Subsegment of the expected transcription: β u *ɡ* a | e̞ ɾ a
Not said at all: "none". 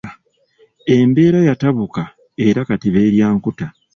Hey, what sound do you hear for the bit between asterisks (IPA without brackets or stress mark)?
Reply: k